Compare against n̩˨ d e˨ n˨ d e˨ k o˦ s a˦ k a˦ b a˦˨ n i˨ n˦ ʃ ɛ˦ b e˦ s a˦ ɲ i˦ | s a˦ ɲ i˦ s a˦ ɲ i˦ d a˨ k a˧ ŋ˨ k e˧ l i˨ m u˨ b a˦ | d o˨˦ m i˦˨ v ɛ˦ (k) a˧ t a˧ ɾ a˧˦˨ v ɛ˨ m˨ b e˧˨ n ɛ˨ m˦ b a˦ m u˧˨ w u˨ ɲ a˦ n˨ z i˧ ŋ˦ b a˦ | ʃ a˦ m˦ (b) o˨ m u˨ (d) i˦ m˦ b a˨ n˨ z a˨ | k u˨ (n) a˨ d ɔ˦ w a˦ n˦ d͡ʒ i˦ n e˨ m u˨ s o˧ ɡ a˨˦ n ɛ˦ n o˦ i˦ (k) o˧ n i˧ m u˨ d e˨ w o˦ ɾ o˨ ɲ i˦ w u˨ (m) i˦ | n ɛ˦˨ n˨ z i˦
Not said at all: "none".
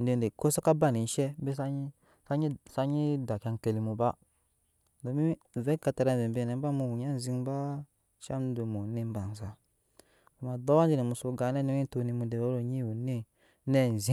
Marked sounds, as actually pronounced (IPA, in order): k, d, n, m, t, n

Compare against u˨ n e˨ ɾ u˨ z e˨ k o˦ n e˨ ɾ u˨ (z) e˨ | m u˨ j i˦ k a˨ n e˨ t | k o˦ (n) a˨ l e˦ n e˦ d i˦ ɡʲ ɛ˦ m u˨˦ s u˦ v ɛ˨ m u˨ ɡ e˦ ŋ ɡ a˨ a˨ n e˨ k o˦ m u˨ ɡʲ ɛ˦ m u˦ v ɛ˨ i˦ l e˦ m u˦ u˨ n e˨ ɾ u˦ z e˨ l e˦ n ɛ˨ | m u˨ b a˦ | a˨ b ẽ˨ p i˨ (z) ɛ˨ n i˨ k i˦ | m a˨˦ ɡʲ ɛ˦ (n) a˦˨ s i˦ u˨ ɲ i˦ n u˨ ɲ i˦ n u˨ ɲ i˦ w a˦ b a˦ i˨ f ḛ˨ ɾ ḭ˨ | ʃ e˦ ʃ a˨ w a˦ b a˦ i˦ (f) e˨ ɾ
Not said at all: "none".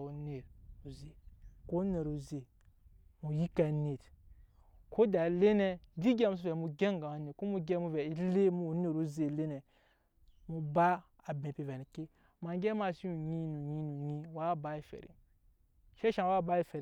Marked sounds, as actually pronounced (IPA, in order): z, d, v, m, f

